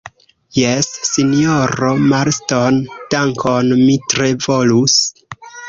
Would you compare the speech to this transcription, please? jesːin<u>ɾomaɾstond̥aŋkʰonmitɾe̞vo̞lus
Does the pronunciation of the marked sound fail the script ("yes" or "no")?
yes